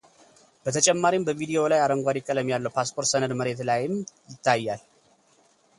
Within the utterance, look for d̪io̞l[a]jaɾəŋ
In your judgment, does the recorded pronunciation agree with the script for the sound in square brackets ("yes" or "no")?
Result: yes